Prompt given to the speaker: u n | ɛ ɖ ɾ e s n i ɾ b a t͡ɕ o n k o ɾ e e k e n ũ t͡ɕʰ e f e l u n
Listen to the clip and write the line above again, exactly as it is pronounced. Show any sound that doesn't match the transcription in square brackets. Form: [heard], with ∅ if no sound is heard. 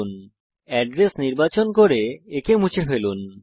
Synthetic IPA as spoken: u n | ɛ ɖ ɾ e s n i ɾ b a t͡ɕ o n k o ɾ e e k e [m] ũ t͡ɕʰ e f e l u n